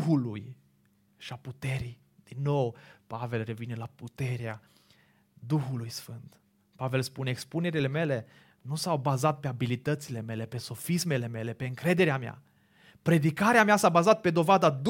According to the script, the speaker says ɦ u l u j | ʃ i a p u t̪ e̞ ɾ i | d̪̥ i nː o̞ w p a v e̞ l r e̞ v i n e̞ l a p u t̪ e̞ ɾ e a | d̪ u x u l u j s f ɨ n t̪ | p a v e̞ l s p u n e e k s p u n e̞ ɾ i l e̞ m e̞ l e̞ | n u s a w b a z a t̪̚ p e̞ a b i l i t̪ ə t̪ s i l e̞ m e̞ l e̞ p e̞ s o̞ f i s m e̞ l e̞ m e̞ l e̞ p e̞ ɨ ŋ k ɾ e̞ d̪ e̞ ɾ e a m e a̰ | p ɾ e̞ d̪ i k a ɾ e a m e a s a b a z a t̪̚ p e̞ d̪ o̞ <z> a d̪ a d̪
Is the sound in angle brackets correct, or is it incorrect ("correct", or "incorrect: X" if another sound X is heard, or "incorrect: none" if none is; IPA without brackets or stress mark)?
incorrect: v